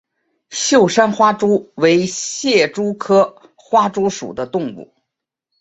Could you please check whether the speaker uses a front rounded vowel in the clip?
no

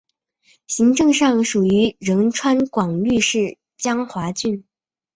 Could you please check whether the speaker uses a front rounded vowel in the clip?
yes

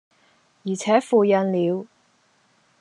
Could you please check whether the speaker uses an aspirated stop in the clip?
yes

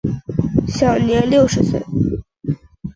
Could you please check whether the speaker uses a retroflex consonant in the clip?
yes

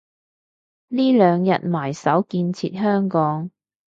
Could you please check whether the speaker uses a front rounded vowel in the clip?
yes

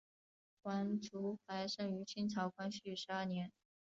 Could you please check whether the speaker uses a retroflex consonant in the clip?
yes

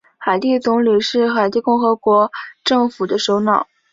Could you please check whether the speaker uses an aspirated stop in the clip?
no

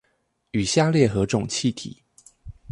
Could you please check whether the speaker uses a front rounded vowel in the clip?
yes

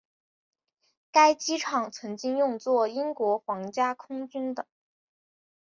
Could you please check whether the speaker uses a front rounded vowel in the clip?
yes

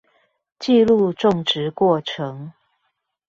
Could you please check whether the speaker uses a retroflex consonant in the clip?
yes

